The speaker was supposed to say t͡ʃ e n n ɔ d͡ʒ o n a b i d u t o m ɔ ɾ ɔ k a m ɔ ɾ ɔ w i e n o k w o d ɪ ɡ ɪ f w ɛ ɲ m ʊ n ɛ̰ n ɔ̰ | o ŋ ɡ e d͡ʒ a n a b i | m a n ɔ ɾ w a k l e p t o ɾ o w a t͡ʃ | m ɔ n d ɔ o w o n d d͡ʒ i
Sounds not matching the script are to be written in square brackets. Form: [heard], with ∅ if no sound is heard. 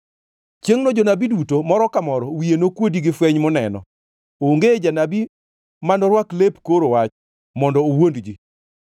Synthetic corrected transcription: t͡ʃ e [ŋ] n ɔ d͡ʒ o n a b i d u t o m ɔ ɾ ɔ k a m ɔ ɾ ɔ w i e n o k w o d [i] ɡ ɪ f w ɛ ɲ m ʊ n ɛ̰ n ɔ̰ | o ŋ ɡ e d͡ʒ a n a b i | m a n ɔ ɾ w a k l e p [k] o ɾ o w a t͡ʃ | m ɔ n d ɔ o w o n d d͡ʒ i